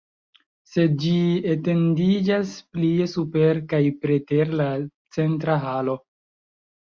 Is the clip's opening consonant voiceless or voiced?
voiceless